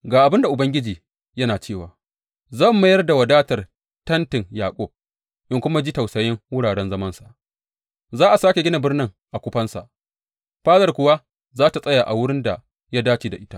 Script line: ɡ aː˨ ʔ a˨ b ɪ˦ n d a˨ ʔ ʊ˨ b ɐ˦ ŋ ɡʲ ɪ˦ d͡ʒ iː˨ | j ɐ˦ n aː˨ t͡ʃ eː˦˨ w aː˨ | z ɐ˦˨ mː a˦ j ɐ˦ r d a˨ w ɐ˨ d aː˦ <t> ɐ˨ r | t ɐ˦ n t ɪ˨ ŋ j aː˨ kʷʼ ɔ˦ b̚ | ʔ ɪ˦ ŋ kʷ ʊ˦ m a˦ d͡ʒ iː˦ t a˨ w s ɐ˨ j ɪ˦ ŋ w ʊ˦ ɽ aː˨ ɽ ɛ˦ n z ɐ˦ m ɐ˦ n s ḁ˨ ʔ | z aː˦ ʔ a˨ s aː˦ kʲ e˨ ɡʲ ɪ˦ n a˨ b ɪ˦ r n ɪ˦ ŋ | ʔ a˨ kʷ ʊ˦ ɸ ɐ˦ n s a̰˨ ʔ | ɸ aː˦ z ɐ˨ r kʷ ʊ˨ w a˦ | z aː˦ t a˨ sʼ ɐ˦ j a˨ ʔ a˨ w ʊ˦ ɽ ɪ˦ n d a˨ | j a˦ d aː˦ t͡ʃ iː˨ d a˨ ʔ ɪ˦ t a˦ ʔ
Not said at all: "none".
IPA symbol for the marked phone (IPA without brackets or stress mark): t